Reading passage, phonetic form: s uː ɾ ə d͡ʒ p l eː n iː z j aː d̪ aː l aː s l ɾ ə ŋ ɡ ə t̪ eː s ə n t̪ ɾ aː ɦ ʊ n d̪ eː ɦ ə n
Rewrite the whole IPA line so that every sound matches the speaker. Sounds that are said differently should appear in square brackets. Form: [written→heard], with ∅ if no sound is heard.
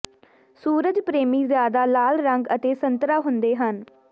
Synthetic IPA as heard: s uː ɾ ə d͡ʒ p [l→ɾ] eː [n→m] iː z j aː d̪ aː l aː [s→∅] l ɾ ə ŋ ɡ ə t̪ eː s ə n t̪ ɾ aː ɦ ʊ n d̪ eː ɦ ə n